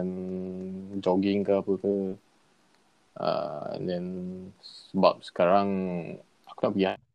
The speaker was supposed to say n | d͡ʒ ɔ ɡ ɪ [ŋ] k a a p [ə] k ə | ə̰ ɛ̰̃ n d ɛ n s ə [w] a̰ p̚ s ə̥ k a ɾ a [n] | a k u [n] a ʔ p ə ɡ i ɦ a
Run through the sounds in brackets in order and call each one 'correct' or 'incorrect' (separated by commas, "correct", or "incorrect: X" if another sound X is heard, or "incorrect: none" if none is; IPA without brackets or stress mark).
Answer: correct, correct, incorrect: b, incorrect: ŋ, correct